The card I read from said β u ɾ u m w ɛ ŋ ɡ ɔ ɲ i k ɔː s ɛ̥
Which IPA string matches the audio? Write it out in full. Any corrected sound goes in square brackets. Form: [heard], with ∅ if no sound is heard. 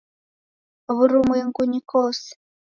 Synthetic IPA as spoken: β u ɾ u m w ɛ ŋ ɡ [u] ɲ i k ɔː s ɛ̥